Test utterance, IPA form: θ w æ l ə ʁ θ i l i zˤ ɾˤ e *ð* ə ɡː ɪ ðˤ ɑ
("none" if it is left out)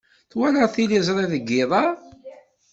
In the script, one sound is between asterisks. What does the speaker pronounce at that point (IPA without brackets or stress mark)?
ð